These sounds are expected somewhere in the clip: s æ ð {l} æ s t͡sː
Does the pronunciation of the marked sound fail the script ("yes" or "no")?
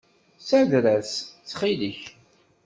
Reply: yes